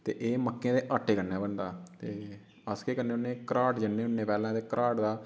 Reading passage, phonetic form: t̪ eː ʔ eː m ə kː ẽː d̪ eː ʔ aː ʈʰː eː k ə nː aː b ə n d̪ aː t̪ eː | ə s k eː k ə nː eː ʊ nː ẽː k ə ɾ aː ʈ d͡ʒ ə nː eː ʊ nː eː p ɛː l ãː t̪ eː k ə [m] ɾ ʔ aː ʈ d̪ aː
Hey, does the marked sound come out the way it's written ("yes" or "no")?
no